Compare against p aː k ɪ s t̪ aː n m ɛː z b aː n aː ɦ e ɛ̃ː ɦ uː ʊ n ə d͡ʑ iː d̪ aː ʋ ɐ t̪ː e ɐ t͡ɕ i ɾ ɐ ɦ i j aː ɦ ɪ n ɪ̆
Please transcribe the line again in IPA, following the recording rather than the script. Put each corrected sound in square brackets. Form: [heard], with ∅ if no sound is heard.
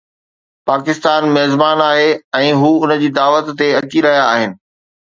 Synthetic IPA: p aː k ɪ s t̪ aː n m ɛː z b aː n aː ɦ e ɛ̃ː ɦ uː ʊ n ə d͡ʑ iː d̪ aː ʋ [ə] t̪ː e ɐ t͡ɕ i ɾ ɐ ɦ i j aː ɦ ɪ n ɪ̆